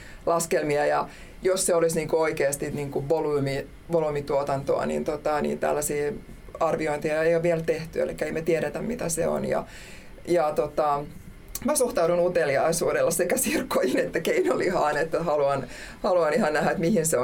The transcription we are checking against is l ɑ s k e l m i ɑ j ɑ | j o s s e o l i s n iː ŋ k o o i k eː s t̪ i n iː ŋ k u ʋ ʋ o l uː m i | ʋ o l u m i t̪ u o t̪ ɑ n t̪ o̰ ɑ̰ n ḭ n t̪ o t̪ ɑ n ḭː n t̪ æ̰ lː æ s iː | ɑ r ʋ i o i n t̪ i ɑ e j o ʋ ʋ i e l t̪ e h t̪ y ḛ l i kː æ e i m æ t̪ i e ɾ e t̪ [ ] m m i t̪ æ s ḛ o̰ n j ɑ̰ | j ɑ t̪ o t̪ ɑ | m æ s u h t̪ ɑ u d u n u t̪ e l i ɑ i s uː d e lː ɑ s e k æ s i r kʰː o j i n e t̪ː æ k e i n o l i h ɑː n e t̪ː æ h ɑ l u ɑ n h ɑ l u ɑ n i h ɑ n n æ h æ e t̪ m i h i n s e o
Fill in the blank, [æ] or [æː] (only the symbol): æ